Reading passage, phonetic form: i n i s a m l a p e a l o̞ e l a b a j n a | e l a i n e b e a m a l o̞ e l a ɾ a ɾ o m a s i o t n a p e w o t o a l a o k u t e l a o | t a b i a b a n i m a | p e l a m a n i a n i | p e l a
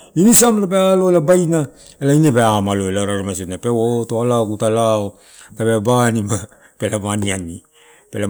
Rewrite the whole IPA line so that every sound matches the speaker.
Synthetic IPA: i n i s a m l a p e a l o̞ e l a b a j n a | e l a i n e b e a m a l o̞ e l a ɾ a ɾ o m a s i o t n a p e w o t o a l a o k u t a l a o | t a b e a b a n i m a | p e l a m a n i a n i | p e l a